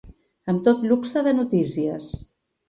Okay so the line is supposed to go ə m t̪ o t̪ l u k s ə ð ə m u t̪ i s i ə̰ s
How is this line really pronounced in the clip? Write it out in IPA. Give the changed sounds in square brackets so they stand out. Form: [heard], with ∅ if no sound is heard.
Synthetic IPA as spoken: ə m t̪ o t̪ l u k s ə ð ə [n] u t̪ i s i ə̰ s